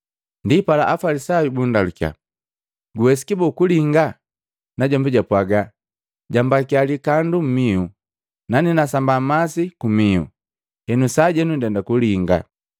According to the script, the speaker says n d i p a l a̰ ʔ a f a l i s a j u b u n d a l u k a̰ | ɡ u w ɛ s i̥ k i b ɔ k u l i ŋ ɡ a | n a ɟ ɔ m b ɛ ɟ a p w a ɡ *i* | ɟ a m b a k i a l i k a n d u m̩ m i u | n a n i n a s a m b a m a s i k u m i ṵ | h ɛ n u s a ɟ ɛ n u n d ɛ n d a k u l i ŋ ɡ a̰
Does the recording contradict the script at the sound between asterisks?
yes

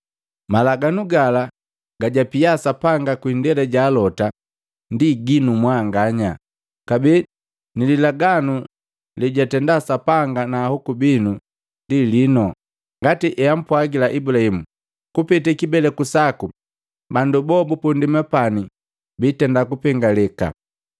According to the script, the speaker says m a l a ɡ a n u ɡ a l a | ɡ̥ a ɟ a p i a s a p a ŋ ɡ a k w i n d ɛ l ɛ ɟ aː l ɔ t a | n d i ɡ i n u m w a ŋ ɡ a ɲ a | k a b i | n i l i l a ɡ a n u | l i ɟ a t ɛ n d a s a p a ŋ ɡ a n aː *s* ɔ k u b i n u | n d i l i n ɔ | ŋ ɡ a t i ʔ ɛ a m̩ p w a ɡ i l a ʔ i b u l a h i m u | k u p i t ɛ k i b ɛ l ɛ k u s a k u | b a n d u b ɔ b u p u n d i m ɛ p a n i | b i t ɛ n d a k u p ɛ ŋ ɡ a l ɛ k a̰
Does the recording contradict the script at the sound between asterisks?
yes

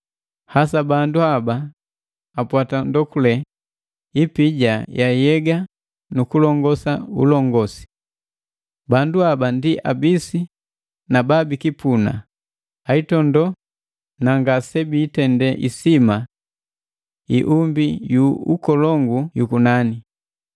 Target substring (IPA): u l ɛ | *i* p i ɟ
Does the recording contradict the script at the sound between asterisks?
no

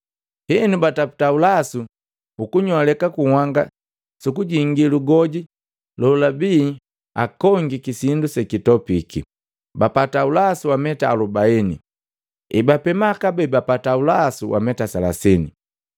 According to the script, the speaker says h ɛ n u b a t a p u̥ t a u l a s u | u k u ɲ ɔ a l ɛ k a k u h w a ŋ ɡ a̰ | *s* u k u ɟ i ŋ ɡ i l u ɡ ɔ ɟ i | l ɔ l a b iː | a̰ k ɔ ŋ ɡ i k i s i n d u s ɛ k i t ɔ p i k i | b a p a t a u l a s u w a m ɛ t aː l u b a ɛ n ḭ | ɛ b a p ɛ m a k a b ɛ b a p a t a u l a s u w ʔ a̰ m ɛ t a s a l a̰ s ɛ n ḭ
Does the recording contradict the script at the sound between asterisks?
no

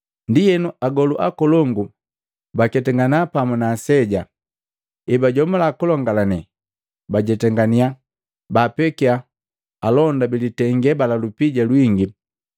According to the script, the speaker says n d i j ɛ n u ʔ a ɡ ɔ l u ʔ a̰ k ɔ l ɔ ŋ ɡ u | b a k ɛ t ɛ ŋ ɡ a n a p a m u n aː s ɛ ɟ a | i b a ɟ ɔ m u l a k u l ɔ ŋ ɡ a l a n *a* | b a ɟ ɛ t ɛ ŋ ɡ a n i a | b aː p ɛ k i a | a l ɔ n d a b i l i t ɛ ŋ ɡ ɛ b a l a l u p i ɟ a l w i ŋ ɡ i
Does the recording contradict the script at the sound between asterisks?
yes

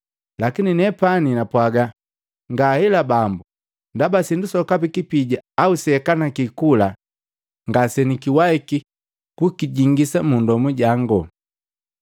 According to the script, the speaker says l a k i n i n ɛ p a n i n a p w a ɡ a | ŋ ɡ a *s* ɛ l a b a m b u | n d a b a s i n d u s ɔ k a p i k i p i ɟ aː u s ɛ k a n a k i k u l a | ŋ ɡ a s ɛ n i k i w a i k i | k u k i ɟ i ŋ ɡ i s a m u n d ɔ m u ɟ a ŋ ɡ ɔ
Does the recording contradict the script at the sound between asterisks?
yes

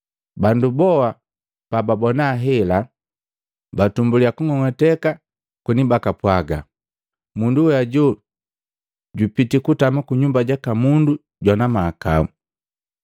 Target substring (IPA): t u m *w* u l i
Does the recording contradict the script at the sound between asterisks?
yes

